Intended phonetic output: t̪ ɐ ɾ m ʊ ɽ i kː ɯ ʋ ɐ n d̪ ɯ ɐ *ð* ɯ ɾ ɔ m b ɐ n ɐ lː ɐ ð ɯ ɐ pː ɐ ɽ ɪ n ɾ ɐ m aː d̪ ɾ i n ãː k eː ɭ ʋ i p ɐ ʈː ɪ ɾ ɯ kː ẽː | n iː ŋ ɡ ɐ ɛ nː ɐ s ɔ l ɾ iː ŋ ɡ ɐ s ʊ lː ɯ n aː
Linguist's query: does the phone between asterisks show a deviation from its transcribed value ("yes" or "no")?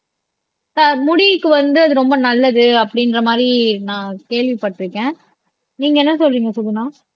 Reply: no